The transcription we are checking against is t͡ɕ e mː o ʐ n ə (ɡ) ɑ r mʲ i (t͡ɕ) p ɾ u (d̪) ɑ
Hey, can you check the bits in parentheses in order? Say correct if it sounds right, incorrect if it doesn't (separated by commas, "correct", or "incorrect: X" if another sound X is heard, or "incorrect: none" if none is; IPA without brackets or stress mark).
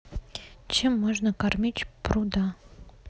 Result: incorrect: k, correct, correct